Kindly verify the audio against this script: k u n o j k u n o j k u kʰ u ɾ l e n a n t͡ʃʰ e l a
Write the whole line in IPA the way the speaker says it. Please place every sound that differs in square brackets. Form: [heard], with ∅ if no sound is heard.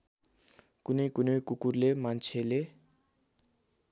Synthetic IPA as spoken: k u n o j k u n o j k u [k] u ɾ l e [m] a n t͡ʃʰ e l [e]